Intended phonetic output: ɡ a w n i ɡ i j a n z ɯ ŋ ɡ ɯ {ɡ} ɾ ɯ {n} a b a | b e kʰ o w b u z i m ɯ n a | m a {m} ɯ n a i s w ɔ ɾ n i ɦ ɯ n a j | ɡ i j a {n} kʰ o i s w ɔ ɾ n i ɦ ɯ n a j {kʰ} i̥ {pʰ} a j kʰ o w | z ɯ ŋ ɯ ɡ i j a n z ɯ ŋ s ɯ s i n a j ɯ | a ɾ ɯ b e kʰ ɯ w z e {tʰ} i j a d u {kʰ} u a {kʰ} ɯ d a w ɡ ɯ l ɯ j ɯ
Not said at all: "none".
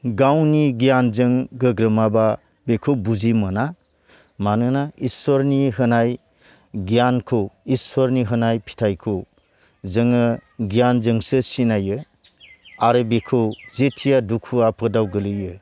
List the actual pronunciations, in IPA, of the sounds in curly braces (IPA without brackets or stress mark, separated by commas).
ɡ, m, n, n, pʰ, tʰ, tʰ, kʰ, pʰ